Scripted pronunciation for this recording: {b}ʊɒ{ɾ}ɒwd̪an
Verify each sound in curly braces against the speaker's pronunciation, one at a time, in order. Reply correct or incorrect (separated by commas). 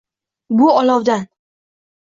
correct, incorrect